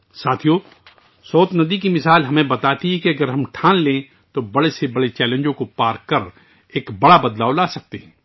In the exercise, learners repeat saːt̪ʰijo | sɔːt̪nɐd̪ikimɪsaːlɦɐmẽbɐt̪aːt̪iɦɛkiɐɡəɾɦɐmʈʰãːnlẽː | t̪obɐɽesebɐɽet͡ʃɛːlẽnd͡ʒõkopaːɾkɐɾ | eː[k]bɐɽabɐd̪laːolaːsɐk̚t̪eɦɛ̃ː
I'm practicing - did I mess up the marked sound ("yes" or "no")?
no